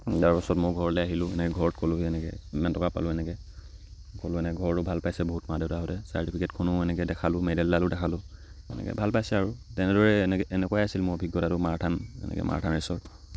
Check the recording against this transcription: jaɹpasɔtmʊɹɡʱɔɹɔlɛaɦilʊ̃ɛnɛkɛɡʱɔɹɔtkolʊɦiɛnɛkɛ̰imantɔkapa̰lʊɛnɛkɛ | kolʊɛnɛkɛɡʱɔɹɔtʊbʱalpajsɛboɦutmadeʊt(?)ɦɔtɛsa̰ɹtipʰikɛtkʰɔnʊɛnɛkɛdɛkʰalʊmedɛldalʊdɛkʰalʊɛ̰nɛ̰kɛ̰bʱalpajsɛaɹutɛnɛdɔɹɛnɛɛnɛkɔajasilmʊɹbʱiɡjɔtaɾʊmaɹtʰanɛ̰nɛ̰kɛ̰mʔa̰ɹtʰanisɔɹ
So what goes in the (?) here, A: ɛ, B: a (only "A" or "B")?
B